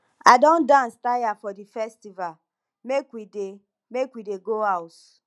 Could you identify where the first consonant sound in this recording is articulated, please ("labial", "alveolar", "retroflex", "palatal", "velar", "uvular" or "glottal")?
alveolar